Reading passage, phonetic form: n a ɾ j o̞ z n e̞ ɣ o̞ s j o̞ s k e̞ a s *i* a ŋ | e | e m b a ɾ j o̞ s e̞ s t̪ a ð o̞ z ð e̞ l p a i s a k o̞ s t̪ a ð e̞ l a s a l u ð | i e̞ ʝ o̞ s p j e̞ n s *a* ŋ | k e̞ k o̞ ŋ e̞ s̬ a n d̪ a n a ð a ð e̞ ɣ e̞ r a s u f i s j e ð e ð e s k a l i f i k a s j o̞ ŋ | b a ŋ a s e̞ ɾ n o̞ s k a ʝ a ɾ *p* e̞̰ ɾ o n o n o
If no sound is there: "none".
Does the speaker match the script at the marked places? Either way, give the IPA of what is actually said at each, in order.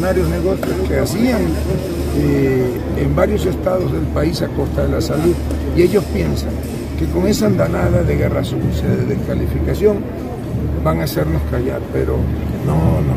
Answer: i, a, p

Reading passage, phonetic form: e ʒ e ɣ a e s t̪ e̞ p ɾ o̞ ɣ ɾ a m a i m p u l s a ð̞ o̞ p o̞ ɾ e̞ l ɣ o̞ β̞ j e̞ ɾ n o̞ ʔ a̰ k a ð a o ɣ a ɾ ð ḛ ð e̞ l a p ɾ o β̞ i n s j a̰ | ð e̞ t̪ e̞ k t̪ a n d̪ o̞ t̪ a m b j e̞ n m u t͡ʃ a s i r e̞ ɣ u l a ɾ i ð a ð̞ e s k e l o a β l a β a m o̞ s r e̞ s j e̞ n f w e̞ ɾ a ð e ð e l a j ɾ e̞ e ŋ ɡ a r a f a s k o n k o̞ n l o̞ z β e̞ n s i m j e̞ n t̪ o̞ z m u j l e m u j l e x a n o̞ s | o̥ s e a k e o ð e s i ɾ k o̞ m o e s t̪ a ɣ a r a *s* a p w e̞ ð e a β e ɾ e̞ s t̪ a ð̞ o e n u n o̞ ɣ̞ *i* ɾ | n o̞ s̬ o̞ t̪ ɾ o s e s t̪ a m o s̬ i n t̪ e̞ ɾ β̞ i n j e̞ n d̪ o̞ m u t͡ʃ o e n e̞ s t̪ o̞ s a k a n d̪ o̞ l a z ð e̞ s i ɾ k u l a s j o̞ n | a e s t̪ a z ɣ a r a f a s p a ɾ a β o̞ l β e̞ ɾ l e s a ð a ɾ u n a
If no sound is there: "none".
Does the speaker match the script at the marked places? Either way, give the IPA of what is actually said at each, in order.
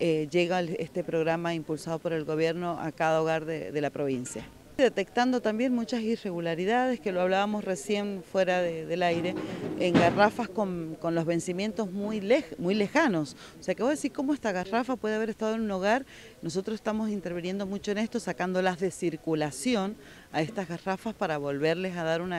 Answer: f, a

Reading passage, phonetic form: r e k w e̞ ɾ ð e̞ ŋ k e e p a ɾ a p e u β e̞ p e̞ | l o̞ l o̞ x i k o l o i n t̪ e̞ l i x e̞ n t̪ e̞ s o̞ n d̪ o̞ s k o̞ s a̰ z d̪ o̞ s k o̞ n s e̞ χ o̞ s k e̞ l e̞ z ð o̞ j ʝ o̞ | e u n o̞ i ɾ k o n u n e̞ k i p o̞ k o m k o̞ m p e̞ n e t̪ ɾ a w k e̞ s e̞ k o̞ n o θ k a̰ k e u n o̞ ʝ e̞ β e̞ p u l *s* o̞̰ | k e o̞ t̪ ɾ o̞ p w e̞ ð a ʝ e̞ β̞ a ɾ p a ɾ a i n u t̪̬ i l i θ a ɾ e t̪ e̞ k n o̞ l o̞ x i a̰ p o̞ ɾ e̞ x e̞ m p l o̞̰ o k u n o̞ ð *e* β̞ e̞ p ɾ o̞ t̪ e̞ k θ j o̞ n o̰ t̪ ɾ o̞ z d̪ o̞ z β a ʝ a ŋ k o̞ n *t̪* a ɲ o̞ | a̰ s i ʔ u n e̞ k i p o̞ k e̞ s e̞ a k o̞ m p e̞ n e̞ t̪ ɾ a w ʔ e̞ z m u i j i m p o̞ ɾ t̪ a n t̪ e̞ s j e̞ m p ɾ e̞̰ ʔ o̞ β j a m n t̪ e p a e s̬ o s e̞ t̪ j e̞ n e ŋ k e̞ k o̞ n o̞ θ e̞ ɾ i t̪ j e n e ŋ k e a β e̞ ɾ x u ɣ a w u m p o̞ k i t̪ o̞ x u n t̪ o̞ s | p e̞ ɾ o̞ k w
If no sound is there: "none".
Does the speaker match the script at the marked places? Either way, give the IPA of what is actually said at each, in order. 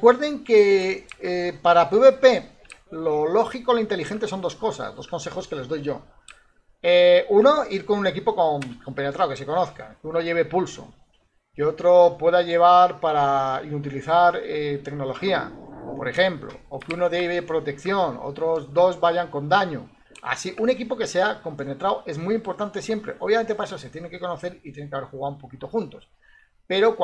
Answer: s, e, d̪

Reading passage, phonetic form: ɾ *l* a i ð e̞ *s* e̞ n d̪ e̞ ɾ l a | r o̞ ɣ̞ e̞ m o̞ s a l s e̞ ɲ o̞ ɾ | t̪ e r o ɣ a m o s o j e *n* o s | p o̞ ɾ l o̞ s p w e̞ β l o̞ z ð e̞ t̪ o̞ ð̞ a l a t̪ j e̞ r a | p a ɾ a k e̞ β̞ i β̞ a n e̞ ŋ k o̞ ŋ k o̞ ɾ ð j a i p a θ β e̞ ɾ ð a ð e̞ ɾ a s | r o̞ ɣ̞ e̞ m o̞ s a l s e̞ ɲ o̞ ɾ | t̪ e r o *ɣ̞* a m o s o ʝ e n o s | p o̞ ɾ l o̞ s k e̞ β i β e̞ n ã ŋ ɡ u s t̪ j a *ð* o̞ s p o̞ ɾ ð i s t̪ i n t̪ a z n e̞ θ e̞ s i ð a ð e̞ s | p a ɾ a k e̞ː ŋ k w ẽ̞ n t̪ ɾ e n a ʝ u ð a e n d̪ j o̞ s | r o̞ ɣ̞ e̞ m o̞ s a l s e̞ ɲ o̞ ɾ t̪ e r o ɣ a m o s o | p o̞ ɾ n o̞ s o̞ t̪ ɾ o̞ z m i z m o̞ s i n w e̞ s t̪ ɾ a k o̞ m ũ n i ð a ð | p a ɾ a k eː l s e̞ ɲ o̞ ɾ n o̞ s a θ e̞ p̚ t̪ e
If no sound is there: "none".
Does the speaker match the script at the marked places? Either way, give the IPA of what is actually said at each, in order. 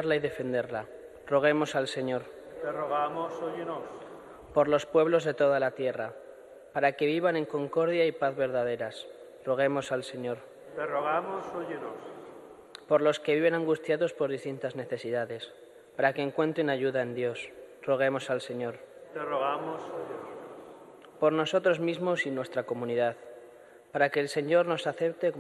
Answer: l, f, n, ɣ̞, ð

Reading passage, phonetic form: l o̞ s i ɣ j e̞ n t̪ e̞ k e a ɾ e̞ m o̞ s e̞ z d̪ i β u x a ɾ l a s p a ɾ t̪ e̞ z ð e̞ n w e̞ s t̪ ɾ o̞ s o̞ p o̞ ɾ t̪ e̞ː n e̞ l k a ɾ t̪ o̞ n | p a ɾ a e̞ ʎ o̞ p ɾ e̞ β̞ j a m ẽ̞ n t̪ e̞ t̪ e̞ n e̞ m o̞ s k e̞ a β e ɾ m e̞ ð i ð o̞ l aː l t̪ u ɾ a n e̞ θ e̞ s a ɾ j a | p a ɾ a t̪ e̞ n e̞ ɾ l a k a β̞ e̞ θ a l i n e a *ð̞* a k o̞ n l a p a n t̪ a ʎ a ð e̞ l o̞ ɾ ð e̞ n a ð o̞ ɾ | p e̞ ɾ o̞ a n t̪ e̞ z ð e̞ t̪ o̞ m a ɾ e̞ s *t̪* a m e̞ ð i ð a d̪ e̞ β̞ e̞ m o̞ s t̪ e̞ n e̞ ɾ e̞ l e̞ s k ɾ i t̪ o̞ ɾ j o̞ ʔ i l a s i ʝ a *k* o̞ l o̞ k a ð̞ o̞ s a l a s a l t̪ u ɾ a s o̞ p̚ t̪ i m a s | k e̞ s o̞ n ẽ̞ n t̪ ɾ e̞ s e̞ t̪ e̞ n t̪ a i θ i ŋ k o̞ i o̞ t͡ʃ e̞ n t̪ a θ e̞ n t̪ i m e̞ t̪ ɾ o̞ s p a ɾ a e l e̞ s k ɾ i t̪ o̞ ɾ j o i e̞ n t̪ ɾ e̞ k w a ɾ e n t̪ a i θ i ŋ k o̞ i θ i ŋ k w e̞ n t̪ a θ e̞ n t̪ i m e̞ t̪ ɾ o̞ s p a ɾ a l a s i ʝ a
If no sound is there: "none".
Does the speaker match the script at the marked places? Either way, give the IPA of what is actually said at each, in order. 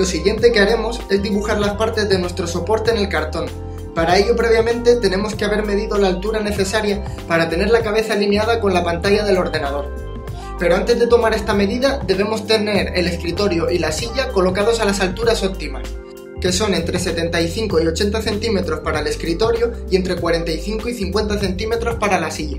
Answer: ð̞, t̪, k

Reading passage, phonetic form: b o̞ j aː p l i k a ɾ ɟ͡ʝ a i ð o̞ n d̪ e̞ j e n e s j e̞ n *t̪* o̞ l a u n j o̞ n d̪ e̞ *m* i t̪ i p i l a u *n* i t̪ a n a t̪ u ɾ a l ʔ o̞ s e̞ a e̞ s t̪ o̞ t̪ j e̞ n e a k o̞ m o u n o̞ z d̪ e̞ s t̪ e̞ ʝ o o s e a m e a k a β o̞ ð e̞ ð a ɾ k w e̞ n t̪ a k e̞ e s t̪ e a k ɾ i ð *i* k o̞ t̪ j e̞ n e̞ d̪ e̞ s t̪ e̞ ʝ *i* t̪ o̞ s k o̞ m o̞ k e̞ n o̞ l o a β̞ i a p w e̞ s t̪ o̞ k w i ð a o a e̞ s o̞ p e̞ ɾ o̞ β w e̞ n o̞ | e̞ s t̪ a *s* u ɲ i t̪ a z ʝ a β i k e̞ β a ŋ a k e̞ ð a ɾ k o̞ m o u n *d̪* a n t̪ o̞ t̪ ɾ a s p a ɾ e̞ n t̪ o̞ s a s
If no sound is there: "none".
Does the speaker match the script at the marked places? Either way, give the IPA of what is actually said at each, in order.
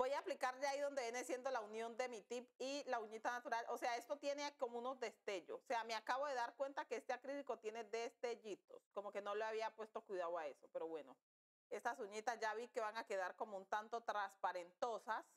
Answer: d̪, m, ɲ, i, i, s, t̪

